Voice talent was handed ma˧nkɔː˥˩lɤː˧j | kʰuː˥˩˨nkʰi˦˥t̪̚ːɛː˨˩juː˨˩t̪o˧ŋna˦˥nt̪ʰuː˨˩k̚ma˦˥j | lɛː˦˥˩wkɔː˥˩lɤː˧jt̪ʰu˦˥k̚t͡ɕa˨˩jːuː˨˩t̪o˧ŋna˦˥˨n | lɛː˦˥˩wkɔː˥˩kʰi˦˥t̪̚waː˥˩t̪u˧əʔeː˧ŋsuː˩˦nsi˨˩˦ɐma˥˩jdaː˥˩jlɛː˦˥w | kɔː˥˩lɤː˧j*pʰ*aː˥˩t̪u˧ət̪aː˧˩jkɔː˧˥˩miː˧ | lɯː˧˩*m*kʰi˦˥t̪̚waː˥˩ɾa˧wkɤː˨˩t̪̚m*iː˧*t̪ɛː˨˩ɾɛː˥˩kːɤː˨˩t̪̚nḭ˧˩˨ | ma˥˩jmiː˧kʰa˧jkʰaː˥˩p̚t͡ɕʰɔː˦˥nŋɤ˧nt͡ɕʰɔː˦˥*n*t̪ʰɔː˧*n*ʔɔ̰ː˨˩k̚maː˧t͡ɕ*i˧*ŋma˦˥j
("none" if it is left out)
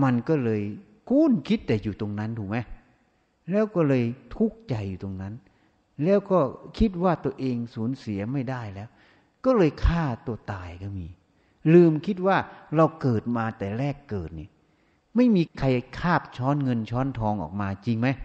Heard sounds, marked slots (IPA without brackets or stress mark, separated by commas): kʰ, m, aː˧, n, ŋ, i˧